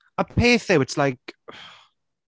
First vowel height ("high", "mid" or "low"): mid